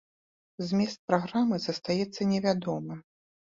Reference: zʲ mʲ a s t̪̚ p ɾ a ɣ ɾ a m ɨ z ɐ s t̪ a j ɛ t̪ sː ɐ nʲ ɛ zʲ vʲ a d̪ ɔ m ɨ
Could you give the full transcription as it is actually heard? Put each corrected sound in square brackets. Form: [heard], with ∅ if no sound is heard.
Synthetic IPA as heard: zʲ mʲ [ɛ] s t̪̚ p ɾ a ɣ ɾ a m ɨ z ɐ s t̪ a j ɛ t̪ sː ɐ nʲ ɛ [∅] vʲ a d̪ ɔ m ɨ

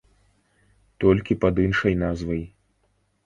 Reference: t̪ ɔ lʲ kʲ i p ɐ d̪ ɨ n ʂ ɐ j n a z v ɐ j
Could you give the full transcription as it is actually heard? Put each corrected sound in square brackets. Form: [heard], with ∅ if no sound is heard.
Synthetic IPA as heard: t̪ ɔ lʲ kʲ i p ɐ d̪ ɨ n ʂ ɐ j n a z v ɐ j

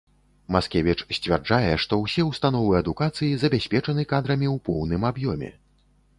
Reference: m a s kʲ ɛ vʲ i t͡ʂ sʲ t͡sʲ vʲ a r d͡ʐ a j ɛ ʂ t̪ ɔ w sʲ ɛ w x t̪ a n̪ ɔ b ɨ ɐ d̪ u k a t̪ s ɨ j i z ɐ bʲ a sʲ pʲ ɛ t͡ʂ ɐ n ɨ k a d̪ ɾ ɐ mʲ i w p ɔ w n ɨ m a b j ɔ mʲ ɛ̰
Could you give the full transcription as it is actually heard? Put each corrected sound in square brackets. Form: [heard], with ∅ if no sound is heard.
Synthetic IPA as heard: m a s kʲ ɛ vʲ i t͡ʂ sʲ t͡sʲ vʲ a r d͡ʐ a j ɛ ʂ t̪ ɔ w sʲ ɛ w [s] t̪ a n̪ ɔ [v] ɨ ɐ d̪ u k a t̪ s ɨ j i z ɐ bʲ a sʲ pʲ ɛ t͡ʂ ɐ n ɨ k a d̪ ɾ ɐ mʲ i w p ɔ w n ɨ m a b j ɔ mʲ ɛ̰

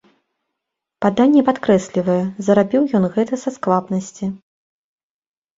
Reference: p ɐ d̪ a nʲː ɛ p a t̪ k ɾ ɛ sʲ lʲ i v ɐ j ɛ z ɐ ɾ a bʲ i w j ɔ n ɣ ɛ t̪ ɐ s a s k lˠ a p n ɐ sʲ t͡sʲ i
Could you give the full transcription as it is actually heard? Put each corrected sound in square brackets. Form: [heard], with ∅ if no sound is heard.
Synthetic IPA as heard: p [a] d̪ a nʲː ɛ p a t̪ k ɾ ɛ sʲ lʲ i v ɐ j ɛ z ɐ ɾ a bʲ i w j ɔ n ɣ ɛ t̪ ɐ s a s k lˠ a p n ɐ sʲ t͡sʲ i

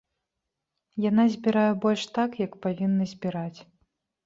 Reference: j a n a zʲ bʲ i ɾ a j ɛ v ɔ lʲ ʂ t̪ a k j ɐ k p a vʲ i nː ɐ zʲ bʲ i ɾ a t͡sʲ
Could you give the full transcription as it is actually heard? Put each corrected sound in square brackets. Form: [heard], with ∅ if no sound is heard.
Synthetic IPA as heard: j a n a zʲ bʲ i ɾ a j ɛ [b] ɔ lʲ ʂ t̪ a k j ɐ k p a vʲ i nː ɐ zʲ bʲ i ɾ a t͡sʲ

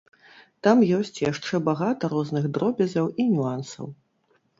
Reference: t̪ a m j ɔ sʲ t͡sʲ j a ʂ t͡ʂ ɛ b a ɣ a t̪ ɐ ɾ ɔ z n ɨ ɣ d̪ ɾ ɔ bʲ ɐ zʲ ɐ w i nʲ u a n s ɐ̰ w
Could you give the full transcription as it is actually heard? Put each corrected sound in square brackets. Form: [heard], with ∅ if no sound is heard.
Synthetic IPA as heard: t̪ a m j ɔ sʲ t͡sʲ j a ʂ t͡ʂ ɛ b a ɣ a t̪ ɐ ɾ ɔ z n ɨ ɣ d̪ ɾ ɔ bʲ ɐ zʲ ɐ w i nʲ u a n s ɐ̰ w

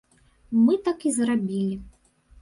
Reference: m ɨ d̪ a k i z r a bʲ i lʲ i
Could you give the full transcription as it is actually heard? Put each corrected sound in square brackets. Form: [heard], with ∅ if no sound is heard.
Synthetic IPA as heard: m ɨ [t̪] a k i z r a bʲ i lʲ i

